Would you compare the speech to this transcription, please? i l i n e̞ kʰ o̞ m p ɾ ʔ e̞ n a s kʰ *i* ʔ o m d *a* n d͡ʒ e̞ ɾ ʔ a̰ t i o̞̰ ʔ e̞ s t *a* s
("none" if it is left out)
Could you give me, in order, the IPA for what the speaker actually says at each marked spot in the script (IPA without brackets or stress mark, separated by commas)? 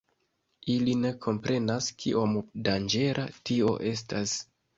i, a, a